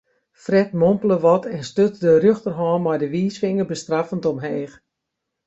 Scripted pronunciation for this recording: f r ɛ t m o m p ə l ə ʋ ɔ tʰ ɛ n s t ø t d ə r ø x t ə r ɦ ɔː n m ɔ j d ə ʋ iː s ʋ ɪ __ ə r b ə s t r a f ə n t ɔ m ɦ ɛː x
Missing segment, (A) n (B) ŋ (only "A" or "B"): B